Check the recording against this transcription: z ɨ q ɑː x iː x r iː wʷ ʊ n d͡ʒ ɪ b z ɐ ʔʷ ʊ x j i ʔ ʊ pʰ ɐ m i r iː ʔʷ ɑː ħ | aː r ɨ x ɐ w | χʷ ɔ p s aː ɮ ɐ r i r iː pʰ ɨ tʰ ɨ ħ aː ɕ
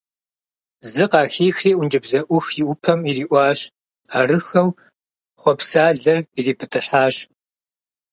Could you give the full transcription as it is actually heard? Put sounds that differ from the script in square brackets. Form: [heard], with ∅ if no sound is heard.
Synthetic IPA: z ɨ q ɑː x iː x r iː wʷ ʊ n d͡ʒ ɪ b z ɐ ʔʷ ʊ x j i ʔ ʊ pʰ ɐ m i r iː ʔʷ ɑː [ɕ] | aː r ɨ x ɐ w | χʷ ɔ p s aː ɮ ɐ r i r iː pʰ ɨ tʰ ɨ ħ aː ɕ